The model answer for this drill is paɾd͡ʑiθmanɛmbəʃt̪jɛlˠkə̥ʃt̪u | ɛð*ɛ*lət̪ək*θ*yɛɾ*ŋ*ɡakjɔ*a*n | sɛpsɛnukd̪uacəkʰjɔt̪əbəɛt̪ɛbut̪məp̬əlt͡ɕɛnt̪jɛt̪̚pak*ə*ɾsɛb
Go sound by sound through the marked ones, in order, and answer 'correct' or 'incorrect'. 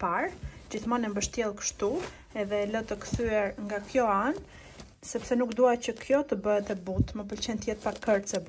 correct, correct, correct, correct, correct

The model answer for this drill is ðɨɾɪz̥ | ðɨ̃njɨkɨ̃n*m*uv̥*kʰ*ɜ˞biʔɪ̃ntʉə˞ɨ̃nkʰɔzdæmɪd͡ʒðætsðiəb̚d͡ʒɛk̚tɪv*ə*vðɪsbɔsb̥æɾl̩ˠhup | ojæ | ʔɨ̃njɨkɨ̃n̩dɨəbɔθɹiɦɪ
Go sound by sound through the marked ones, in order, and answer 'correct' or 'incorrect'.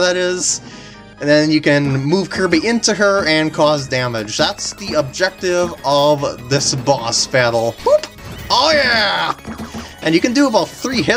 correct, correct, incorrect: ʌ

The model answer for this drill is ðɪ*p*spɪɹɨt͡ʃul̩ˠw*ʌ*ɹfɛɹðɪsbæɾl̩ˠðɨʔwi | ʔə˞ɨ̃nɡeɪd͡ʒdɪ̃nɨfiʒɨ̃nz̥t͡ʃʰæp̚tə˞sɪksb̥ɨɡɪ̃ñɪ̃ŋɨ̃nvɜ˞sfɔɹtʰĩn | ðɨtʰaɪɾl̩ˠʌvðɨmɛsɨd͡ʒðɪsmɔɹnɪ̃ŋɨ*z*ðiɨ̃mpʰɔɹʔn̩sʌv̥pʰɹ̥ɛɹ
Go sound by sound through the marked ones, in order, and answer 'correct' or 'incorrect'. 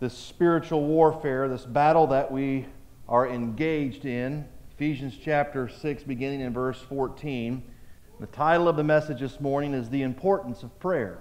incorrect: none, incorrect: ɔ, correct

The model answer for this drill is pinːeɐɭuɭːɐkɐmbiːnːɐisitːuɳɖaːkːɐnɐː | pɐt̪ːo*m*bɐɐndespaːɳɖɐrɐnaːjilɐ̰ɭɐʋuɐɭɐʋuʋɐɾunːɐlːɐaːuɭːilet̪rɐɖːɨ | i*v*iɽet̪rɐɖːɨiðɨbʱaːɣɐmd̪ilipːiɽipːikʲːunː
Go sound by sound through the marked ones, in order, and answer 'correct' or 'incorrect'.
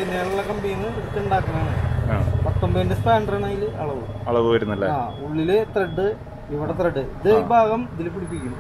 correct, incorrect: ʋ

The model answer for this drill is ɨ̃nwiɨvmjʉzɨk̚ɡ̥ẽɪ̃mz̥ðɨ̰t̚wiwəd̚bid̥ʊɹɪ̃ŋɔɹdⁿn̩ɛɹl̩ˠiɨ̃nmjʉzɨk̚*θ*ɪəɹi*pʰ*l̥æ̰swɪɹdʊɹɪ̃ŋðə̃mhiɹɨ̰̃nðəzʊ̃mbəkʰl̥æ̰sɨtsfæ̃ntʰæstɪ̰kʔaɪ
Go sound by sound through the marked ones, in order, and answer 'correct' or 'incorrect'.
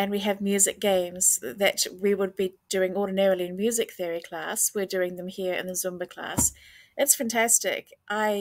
correct, incorrect: kʰ

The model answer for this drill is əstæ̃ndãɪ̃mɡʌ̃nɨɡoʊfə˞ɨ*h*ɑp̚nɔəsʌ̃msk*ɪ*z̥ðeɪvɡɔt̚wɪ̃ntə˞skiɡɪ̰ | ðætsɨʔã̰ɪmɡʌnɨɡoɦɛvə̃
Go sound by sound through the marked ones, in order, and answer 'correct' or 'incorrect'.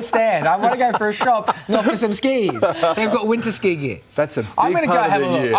incorrect: ʃ, incorrect: i

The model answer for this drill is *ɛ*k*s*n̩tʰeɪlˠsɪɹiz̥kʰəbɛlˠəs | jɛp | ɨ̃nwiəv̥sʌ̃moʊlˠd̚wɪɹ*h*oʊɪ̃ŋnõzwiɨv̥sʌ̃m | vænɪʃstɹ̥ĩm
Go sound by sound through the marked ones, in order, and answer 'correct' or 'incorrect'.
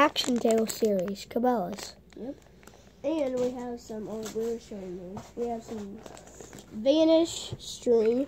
incorrect: æ, incorrect: ʃ, incorrect: ʃ

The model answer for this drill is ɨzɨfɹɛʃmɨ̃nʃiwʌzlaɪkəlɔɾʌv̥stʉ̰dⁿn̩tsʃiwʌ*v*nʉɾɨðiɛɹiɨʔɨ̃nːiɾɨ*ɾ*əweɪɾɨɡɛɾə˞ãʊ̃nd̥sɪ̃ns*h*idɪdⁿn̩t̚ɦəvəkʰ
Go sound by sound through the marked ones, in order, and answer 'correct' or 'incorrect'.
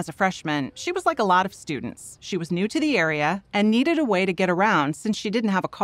incorrect: z, correct, incorrect: ʃ

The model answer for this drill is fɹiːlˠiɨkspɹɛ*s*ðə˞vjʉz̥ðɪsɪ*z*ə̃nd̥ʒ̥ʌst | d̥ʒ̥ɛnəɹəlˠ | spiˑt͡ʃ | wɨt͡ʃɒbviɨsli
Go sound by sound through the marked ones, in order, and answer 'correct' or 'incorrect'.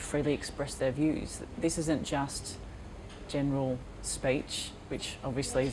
correct, correct

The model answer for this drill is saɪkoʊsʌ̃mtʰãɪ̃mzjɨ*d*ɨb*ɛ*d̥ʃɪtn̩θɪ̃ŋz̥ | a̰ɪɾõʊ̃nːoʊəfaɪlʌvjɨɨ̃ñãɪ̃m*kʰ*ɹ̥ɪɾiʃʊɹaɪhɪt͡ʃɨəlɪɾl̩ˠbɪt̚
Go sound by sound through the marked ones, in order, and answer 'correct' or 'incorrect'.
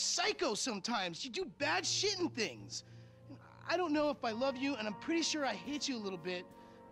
correct, incorrect: æ, incorrect: pʰ

